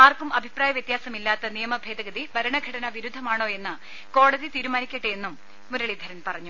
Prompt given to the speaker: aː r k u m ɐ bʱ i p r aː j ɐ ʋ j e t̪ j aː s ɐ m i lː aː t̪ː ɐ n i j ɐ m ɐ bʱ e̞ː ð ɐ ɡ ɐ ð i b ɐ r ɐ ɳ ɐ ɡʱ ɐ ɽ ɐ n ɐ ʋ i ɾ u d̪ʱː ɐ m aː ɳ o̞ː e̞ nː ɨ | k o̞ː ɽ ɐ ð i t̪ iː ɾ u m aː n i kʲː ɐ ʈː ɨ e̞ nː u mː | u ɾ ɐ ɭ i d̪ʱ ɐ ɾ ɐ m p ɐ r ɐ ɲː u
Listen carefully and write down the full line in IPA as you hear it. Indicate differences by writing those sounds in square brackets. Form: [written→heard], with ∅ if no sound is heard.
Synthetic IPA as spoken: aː r k u m ɐ bʱ i p r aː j ɐ ʋ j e t̪ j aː s ɐ m i lː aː t̪ː ɐ n i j ɐ m ɐ bʱ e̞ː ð ɐ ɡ ɐ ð i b ɐ [r→ɾ] ɐ ɳ ɐ ɡʱ ɐ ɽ ɐ n ɐ ʋ i ɾ u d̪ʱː ɐ m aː ɳ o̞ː e̞ nː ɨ | k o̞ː ɽ ɐ ð i t̪ iː ɾ u m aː n i kʲː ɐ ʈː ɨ e̞ nː u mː | u ɾ ɐ ɭ i d̪ʱ ɐ ɾ ɐ [m→n] p ɐ r ɐ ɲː u